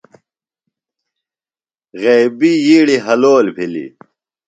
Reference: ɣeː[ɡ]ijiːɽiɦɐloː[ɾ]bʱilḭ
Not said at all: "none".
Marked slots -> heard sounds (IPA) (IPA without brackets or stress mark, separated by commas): b, l